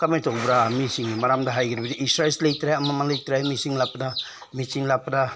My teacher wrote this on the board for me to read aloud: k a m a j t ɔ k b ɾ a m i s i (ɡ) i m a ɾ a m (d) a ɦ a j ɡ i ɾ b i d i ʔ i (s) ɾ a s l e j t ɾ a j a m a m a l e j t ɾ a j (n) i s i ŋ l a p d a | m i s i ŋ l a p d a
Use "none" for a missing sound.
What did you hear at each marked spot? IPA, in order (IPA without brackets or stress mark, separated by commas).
ŋ, d, s, m